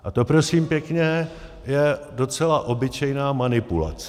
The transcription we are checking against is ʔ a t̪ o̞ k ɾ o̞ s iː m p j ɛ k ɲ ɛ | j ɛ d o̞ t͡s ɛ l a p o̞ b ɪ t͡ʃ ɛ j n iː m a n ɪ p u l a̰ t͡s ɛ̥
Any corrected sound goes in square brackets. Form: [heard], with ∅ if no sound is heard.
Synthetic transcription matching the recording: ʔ a t̪ o̞ [p] ɾ o̞ s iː m p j ɛ k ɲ ɛ | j ɛ d o̞ t͡s ɛ l a [ʔ] o̞ b ɪ t͡ʃ ɛ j n [aː] m a n ɪ p u l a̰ t͡s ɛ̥